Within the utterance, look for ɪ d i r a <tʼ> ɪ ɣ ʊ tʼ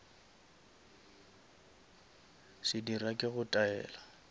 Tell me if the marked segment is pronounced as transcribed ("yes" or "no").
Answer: no